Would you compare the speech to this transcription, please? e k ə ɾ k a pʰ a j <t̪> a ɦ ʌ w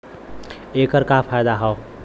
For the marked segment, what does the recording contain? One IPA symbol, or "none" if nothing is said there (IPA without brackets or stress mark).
d̪